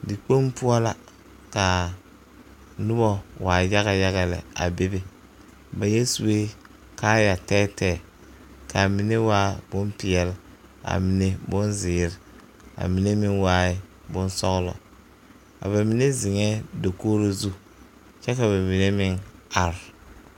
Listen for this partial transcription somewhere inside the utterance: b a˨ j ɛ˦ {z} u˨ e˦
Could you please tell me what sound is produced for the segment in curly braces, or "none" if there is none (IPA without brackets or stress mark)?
s